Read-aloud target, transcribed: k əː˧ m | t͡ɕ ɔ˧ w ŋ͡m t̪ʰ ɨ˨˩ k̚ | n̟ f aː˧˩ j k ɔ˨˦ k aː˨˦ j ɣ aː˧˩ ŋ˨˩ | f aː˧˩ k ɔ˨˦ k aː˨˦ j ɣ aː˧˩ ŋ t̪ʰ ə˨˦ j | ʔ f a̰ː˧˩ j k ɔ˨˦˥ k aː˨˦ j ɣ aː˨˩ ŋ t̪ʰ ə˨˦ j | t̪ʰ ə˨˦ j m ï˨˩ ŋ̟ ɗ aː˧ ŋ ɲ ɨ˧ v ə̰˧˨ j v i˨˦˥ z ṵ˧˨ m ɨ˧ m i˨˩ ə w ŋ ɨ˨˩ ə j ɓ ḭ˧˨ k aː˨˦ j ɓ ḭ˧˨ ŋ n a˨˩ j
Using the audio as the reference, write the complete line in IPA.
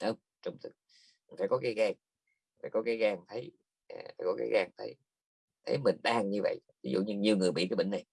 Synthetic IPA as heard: ʔ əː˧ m | t͡ɕ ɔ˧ w ŋ͡m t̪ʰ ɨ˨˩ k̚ | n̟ f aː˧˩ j k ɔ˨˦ k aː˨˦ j ɣ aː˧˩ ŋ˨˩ | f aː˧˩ k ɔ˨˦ k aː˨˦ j ɣ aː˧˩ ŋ t̪ʰ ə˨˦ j | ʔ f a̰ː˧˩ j k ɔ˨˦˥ k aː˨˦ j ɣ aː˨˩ ŋ t̪ʰ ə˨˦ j | t̪ʰ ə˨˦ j m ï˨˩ ŋ̟ ɗ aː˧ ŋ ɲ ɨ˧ v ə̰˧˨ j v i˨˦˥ z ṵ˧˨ ɲ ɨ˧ ɲ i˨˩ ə w ŋ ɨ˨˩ ə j ɓ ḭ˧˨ k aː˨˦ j ɓ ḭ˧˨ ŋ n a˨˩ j